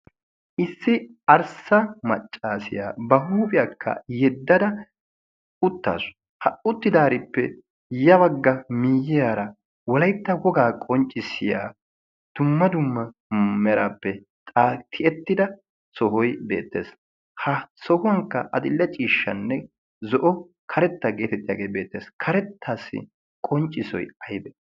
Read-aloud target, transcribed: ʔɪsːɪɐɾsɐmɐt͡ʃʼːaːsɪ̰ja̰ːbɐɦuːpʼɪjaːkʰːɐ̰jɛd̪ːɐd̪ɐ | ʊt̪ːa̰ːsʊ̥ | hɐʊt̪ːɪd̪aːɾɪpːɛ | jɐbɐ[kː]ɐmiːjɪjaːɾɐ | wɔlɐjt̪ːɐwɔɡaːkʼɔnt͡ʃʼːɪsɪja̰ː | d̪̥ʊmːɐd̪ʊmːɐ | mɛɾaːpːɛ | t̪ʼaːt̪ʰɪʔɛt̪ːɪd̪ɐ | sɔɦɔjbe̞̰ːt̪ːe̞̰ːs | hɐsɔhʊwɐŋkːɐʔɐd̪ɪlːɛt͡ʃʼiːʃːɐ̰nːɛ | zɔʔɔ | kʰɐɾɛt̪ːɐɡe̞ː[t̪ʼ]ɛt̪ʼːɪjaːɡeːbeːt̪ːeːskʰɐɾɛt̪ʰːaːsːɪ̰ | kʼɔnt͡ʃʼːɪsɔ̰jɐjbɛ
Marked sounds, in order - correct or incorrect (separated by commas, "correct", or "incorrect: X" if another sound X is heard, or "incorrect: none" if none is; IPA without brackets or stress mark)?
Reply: incorrect: ɡː, incorrect: t̪